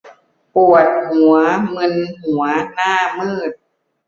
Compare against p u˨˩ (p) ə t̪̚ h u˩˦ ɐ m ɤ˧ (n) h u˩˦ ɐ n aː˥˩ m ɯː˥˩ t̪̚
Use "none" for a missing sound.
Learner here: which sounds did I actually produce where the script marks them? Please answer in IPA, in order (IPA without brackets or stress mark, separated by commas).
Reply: none, n